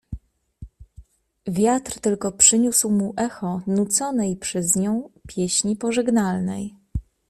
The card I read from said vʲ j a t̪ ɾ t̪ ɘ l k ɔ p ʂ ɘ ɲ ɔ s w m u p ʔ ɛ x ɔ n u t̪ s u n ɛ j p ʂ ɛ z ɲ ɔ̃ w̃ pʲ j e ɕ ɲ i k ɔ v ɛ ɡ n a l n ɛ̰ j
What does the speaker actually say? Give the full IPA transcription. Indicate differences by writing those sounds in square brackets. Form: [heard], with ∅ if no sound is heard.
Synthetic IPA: vʲ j a t̪ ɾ t̪ ɘ l k ɔ p ʂ ɘ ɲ [u] s w m u [∅] ʔ ɛ x ɔ n u t̪ s [ɔ] n ɛ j p ʂ ɛ z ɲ ɔ̃ w̃ pʲ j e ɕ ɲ i [p] ɔ [ʐ] ɛ ɡ n a l n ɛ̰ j